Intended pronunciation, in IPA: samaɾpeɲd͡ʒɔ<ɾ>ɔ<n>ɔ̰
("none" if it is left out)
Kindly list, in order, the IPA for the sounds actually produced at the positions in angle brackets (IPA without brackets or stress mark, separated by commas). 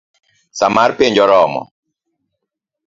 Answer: ɾ, m